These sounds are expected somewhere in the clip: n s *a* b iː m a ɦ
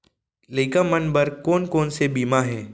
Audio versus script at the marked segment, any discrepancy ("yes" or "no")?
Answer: yes